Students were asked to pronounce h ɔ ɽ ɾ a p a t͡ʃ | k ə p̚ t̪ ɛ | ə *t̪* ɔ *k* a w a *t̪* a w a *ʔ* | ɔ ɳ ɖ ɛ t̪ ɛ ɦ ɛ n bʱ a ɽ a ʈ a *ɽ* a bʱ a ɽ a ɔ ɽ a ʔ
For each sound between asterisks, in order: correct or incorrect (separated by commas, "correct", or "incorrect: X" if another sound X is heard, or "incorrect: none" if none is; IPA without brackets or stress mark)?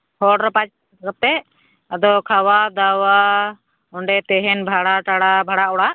incorrect: d̪, incorrect: kʰ, incorrect: d̪, incorrect: none, correct